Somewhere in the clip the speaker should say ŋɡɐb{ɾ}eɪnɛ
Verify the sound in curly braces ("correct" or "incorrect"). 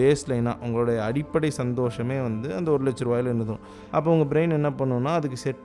correct